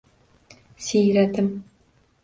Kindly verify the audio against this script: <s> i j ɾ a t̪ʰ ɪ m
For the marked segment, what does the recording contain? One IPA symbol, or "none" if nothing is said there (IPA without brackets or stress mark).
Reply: s